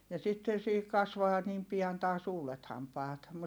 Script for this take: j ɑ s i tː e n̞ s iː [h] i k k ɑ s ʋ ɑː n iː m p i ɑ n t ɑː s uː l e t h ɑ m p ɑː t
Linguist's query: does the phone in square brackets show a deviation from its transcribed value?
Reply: no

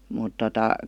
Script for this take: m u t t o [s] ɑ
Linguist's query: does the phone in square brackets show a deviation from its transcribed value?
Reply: yes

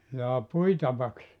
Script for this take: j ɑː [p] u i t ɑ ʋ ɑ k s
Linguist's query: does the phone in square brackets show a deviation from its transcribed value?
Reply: no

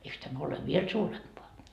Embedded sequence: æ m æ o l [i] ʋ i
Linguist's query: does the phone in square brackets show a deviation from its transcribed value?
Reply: yes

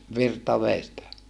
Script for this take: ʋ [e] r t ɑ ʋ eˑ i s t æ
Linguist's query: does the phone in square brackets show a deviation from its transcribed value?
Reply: yes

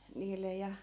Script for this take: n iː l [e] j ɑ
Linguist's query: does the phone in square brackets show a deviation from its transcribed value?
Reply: no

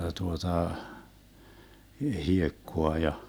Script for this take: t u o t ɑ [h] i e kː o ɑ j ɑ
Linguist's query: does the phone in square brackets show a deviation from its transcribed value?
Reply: no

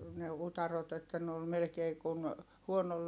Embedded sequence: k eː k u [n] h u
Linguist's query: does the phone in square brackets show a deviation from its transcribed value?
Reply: no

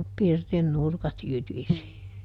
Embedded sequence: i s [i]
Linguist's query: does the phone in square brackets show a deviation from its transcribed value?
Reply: no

